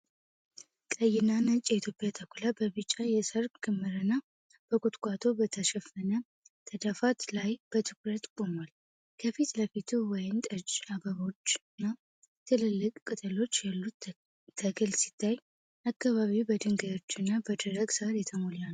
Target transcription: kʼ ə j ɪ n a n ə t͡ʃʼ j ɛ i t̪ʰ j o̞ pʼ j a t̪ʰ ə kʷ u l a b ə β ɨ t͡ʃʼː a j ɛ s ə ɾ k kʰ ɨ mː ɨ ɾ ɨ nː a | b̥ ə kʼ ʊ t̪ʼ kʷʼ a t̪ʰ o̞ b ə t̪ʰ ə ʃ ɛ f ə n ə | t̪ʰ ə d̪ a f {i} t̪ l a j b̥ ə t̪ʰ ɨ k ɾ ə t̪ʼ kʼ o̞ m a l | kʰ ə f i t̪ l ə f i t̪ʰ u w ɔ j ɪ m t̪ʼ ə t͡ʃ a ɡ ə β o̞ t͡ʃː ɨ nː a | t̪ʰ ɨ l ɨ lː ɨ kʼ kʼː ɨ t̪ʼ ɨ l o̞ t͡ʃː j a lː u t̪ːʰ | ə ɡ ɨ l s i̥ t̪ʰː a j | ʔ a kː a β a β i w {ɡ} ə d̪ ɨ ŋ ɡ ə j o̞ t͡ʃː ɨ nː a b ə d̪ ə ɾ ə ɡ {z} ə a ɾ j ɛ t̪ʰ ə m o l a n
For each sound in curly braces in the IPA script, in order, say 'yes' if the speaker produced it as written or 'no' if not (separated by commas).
no, no, no